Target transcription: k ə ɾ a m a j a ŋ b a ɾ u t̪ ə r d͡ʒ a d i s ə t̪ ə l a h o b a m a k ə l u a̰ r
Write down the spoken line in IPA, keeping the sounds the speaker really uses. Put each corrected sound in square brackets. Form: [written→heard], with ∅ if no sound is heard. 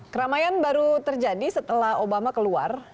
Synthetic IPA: k ə ɾ a m a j a [ŋ→n] b a ɾ u t̪ ə r d͡ʒ a d i s ə t̪ ə l a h o b a m a k ə l u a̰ r